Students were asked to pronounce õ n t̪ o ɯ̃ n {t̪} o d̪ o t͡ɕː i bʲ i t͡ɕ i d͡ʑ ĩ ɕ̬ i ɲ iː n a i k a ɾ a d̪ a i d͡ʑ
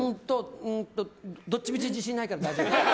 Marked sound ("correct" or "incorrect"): correct